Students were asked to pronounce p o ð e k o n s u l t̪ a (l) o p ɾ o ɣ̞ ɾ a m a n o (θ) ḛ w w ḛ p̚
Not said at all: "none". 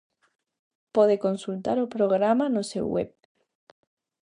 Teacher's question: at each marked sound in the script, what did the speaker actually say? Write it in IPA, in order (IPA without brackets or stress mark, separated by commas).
ɾ, s